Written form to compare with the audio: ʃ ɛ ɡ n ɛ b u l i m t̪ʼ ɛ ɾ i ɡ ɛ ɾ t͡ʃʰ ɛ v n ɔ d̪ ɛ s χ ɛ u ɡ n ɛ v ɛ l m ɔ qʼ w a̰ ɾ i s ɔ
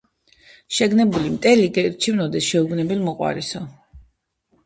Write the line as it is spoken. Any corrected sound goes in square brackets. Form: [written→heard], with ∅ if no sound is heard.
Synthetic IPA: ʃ ɛ ɡ n ɛ b u l i m t̪ʼ ɛ [ɾ→l] i ɡ ɛ ɾ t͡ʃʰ [ɛ→i] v n ɔ d̪ ɛ s [χ→ʃ] ɛ u ɡ n ɛ [v→b] ɛ l m ɔ qʼ w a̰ ɾ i s ɔ

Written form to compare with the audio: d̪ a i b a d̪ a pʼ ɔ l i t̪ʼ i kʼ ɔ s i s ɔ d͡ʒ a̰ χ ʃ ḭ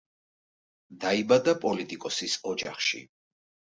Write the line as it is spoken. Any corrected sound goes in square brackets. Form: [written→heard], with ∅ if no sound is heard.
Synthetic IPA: d̪ a i b a d̪ a pʼ ɔ l i t̪ʼ i kʼ ɔ s i s ɔ d͡ʒ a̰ χ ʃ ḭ

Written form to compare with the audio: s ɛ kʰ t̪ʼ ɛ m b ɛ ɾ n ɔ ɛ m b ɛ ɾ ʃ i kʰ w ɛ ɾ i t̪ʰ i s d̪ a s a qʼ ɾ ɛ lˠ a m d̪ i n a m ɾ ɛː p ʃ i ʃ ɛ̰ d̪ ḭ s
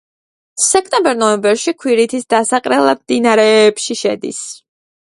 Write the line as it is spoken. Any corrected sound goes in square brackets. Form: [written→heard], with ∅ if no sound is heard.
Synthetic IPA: s ɛ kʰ t̪ʼ ɛ m b ɛ ɾ n ɔ ɛ m b ɛ ɾ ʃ i kʰ w [ɛ→i] ɾ i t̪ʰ i s d̪ a s a qʼ ɾ ɛ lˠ a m d̪ i n a [m→∅] ɾ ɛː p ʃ i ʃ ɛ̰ d̪ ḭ s

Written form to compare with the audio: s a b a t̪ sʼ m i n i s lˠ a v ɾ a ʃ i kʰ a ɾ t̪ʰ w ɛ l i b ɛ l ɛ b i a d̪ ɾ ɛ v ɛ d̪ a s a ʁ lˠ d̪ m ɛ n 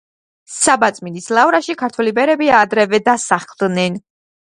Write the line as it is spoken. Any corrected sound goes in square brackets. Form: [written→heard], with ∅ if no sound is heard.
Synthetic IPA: s a b a t̪ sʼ m i n i s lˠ a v ɾ a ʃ i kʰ a ɾ t̪ʰ w ɛ l i b ɛ [l→ɾ] ɛ b i a d̪ ɾ ɛ v ɛ d̪ a s a [ʁ→χ] lˠ d̪ [m→n] ɛ n

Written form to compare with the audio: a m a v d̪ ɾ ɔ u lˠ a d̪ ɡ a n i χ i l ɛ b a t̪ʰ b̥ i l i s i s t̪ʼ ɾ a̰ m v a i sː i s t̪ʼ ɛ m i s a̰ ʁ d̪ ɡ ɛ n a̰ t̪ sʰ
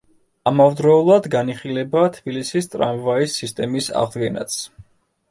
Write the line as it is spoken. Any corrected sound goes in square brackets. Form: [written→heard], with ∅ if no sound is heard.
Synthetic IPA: a m a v d̪ ɾ ɔ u lˠ a d̪ ɡ a n i χ i l ɛ b a t̪ʰ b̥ i l i s i s t̪ʼ ɾ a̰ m v a i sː i s t̪ʼ ɛ m i s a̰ ʁ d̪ ɡ ɛ n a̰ t̪ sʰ

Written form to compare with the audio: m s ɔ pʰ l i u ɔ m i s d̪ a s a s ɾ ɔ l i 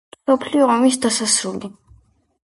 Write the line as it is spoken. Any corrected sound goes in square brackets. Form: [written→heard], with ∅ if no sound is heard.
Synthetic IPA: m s ɔ pʰ l i [u→ɔ] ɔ m i s d̪ a s a s ɾ [ɔ→u] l i

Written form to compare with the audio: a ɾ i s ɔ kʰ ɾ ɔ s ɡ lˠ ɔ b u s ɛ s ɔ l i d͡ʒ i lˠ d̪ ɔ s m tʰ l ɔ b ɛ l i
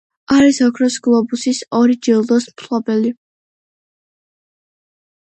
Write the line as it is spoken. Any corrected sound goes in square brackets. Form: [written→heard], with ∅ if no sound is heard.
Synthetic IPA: a ɾ i s ɔ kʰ ɾ ɔ s ɡ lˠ ɔ b u s [ɛ→i] s ɔ [l→ɾ] i d͡ʒ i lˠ d̪ ɔ s m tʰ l ɔ b ɛ l i

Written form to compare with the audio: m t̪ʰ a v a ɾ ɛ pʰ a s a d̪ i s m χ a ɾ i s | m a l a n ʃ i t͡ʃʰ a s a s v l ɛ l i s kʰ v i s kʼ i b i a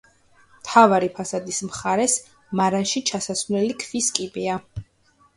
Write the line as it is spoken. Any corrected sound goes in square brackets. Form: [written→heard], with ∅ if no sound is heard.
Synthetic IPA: m t̪ʰ a v a ɾ [ɛ→i] pʰ a s a d̪ i s m χ a ɾ [i→ɛ] s | m a [l→ɾ] a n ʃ i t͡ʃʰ a s a s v l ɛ l i [s→∅] kʰ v i s kʼ i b i a

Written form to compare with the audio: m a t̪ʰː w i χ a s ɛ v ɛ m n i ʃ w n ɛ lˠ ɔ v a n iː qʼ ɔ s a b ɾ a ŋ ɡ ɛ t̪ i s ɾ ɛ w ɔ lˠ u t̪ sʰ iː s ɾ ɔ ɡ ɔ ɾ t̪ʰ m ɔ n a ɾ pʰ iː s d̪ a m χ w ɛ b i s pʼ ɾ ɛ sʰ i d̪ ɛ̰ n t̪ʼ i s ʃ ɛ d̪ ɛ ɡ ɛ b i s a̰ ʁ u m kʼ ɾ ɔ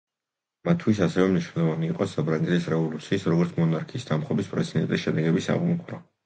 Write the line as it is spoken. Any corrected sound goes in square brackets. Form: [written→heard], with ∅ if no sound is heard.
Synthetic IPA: m a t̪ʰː w i [χ→s] a s ɛ v ɛ m n i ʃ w n ɛ lˠ ɔ v a n iː qʼ ɔ s a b ɾ a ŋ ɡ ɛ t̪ i s ɾ ɛ [w→v] ɔ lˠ u t̪ sʰ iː s ɾ ɔ ɡ ɔ ɾ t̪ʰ m ɔ n a ɾ [pʰ→kʰ] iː s d̪ a m χ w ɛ b i s pʼ ɾ ɛ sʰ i d̪ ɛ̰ n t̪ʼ i s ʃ ɛ d̪ ɛ ɡ ɛ b i s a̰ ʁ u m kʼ ɾ ɔ

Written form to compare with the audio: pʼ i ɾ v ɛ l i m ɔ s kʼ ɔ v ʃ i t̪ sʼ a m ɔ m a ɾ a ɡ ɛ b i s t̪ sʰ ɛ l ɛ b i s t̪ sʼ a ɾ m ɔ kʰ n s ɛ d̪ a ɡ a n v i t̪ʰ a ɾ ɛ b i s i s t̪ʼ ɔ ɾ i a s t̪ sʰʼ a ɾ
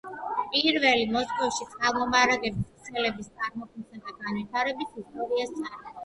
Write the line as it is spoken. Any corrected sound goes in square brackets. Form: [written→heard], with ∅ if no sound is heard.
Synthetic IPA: pʼ i ɾ v ɛ l i m ɔ s kʼ ɔ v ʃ i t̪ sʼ a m ɔ m a ɾ a ɡ ɛ b i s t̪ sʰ ɛ l ɛ b i s t̪ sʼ a ɾ m ɔ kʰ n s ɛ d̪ a ɡ a n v i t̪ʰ a ɾ ɛ b i s i s t̪ʼ ɔ ɾ i a s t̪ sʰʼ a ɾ

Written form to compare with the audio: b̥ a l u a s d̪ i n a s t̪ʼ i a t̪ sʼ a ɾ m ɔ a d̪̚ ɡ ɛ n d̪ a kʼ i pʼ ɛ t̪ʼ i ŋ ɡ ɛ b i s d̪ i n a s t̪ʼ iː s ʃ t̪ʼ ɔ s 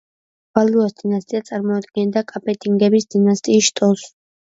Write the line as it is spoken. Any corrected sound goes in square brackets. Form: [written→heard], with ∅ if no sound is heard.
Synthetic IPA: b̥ a l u a s d̪ i n a s t̪ʼ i a t̪ sʼ a ɾ m ɔ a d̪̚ ɡ ɛ n d̪ a kʼ [i→a] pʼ ɛ t̪ʼ i ŋ ɡ ɛ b i s d̪ i n a s t̪ʼ iː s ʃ t̪ʼ ɔ s

